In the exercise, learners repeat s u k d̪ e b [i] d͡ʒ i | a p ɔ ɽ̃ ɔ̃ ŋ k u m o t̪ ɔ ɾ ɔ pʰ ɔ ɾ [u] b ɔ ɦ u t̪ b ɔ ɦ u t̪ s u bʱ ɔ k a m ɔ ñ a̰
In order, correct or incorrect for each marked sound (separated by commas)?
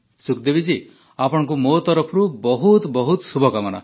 correct, correct